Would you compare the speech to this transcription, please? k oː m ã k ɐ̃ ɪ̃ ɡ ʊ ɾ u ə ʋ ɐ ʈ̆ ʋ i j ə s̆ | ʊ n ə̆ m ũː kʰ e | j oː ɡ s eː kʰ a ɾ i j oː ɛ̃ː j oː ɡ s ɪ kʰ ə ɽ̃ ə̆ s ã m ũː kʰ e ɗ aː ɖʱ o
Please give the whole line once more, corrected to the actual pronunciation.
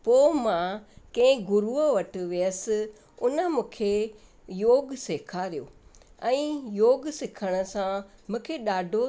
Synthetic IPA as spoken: p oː m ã k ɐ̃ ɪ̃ ɡ ʊ ɾ u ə ʋ ɐ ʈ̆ ʋ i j ə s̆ | ʊ n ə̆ m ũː kʰ e | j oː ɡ s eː kʰ a ɾ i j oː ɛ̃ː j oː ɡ s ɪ kʰ ə ɽ̃ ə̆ s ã m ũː kʰ e ɗ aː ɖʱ o